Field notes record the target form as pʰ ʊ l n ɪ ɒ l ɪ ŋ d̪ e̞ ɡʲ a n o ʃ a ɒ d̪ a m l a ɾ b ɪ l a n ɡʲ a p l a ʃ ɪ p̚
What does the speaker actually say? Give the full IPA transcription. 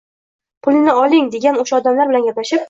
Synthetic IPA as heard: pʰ ʊ l n ɪ ɒ l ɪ ŋ d̪ e̞ ɡʲ a n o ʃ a ɒ d̪ a m l a ɾ b ɪ l a n ɡʲ a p l a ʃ ɪ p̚

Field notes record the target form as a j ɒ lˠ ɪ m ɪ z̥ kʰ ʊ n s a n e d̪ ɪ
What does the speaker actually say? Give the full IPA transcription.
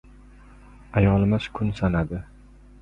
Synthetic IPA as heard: a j ɒ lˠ ɪ m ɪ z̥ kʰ ʊ n s a n a d̪ ɪ

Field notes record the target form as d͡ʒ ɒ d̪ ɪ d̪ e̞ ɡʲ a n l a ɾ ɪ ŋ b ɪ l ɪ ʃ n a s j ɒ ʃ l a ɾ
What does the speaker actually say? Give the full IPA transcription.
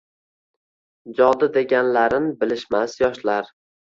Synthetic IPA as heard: d͡ʒ ɒ d̪ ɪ d̪ e̞ ɡʲ a n l a ɾ ɪ n b ɪ l ɪ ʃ m a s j ɒ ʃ l a ɾ

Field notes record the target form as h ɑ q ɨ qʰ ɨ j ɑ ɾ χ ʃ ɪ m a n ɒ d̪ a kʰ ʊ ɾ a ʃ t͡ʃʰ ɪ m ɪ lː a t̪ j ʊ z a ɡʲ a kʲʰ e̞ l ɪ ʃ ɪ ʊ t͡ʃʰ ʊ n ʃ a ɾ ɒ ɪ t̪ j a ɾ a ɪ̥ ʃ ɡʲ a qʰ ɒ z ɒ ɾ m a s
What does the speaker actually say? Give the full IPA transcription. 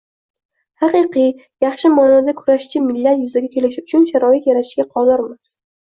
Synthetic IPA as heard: h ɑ q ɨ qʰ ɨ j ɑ χ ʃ ɪ m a n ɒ d̪ a kʰ ʊ ɾ a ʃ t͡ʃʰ ɪ m ɪ lː a t̪ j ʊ z a ɡʲ a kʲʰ e̞ l ɪ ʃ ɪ ʊ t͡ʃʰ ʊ n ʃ a ɾ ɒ ɪ t̪ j a ɾ a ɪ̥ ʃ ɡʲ a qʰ ɒ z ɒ ɾ m a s

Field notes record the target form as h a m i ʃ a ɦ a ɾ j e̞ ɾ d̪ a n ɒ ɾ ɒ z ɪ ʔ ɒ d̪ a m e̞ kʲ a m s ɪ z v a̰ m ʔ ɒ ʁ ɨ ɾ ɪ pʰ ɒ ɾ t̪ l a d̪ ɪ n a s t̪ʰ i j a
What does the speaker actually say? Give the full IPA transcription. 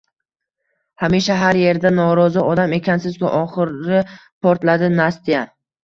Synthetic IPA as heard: h a m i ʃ a ɦ a ɾ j e̞ ɾ d̪ a n ɒ ɾ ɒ z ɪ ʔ ɒ d̪ a m e̞ kʲ a n s ɪ z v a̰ ʔ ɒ χ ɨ ɾ ɪ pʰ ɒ ɾ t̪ l a d̪ ɪ n a s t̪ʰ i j a

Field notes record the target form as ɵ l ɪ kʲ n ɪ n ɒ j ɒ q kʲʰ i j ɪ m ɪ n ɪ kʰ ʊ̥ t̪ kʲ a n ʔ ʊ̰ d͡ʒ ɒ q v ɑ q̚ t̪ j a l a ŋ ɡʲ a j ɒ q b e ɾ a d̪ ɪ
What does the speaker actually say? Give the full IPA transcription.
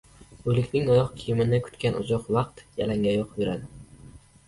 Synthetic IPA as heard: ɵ l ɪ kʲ n ɪ ŋ ɒ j ɒ q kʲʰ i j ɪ m ɪ n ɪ kʰ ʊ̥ t̪ kʲ a n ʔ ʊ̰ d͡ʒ ɒ q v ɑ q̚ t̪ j a l a ŋ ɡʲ a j ɒ q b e ɾ a d̪ ɪ

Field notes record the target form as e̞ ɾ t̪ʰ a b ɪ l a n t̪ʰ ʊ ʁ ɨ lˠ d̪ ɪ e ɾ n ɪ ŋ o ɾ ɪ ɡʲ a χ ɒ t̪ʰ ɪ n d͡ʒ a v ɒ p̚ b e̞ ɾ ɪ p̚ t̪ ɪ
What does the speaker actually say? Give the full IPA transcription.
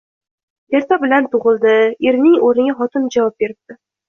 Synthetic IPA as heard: e̞ ɾ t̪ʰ a b ɪ l a n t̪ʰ ʊ ʁ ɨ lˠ d̪ ɪ e ɾ n ɪ ŋ o ɾ ɪ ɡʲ a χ ɒ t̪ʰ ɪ n d͡ʒ a v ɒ p̚ b e̞ ɾ ɪ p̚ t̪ ɪ

